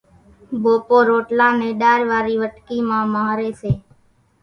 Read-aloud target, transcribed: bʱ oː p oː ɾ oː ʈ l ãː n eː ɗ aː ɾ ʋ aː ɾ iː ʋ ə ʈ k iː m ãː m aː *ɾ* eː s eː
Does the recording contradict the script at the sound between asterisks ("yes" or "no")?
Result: no